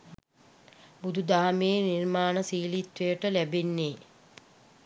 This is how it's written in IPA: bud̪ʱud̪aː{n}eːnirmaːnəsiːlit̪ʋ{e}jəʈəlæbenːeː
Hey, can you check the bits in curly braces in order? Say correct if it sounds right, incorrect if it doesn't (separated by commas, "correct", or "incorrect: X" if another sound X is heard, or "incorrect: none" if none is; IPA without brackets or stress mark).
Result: incorrect: m, correct